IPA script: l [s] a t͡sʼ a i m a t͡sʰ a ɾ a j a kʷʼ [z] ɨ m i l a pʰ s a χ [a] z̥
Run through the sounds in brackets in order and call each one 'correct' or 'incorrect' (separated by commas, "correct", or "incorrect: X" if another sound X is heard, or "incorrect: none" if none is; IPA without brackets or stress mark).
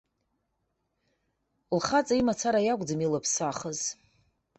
incorrect: χ, incorrect: d͡z, incorrect: ə